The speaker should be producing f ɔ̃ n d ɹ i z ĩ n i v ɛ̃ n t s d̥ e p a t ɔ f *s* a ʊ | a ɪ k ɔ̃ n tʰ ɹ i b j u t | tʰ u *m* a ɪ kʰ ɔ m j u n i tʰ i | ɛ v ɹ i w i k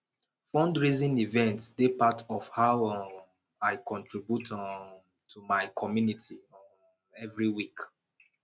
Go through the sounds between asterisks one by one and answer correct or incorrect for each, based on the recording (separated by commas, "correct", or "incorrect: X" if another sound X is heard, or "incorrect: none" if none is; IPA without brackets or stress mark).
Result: incorrect: h, correct